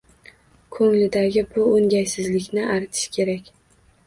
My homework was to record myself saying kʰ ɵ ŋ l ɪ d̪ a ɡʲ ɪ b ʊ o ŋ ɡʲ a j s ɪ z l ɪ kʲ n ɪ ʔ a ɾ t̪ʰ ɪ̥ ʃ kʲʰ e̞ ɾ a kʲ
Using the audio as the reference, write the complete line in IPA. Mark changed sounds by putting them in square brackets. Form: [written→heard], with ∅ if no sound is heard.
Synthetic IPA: kʰ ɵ ŋ l ɪ d̪ a ɡʲ ɪ b ʊ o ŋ ɡʲ a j s ɪ z l ɪ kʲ n ɪ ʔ a ɾ t̪ʰ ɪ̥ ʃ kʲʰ e̞ ɾ a kʲ